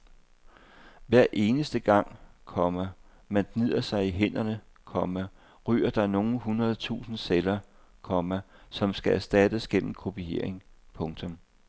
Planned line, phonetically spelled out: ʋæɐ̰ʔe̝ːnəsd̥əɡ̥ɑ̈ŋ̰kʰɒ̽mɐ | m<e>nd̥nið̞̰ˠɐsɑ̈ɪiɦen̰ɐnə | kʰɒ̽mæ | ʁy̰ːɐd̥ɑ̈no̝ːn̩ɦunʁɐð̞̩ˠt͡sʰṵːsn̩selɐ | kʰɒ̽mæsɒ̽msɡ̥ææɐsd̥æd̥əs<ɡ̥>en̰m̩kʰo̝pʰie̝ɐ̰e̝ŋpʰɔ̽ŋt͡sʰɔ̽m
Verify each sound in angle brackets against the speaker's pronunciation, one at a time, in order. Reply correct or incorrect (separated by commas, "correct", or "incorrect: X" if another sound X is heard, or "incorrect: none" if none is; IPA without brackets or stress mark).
incorrect: æ, correct